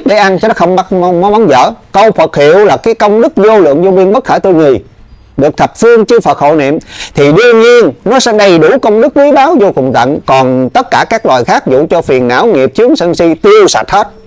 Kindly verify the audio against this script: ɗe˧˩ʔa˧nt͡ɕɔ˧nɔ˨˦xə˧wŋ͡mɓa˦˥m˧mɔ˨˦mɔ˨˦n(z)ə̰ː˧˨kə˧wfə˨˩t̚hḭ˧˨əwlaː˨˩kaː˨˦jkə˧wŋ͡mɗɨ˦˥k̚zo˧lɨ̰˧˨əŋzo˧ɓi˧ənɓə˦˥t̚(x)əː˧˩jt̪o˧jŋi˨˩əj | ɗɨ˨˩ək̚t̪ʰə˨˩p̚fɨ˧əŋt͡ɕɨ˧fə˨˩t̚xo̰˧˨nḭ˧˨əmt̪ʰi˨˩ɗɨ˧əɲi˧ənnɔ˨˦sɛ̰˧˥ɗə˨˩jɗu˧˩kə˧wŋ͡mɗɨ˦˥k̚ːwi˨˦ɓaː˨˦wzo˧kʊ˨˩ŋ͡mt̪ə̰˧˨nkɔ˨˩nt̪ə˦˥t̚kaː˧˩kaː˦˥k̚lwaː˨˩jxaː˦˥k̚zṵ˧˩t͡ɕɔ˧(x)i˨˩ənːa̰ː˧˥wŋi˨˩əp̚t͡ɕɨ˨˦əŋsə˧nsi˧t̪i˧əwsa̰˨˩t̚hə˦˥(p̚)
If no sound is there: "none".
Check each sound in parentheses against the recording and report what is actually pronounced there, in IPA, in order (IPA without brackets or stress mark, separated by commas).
z, x, f, t̚